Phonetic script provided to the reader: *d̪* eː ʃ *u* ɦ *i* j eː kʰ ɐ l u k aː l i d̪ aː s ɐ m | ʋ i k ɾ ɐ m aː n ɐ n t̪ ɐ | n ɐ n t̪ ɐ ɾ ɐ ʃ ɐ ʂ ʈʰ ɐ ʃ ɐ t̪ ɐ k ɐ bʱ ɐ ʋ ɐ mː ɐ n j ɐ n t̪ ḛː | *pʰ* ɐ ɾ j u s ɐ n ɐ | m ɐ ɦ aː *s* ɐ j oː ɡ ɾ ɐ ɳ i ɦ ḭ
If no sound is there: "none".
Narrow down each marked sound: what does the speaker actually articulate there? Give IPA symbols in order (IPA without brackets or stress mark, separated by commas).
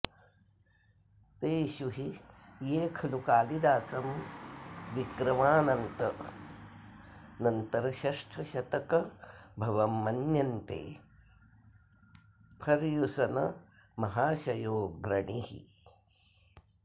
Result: t̪, u, i, pʰ, ʃ